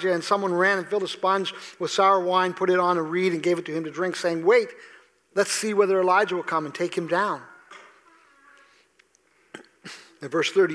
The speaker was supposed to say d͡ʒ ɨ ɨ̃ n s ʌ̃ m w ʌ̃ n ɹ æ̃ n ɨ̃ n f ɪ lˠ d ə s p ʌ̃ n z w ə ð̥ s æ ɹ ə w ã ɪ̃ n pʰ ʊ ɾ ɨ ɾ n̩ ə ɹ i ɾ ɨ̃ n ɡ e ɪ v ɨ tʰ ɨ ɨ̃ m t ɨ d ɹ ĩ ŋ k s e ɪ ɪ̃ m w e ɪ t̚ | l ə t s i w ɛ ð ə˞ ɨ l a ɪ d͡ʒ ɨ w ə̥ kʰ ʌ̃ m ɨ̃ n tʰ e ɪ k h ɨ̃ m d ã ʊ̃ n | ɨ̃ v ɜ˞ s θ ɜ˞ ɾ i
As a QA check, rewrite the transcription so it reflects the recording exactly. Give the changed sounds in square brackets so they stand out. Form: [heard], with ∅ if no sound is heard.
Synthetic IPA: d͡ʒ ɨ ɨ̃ n s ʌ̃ m w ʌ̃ n ɹ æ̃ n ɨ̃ n f ɪ lˠ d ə s p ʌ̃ n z w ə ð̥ s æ ɹ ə w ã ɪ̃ n pʰ ʊ ɾ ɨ ɾ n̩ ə ɹ i ɾ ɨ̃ n ɡ e ɪ v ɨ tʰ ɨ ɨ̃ m t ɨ d ɹ [ɪ̃] ŋ k s e ɪ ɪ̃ [ŋ] w e ɪ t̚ | l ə t s i w ɛ ð ə˞ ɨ l a ɪ d͡ʒ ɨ w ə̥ kʰ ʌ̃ m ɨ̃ n tʰ e ɪ k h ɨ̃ m d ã ʊ̃ n | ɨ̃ v ɜ˞ s θ ɜ˞ ɾ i